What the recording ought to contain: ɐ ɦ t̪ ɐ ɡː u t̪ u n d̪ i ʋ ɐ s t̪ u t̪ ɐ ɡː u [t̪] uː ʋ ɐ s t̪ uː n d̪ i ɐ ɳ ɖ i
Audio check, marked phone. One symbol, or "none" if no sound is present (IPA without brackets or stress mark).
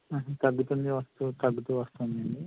t̪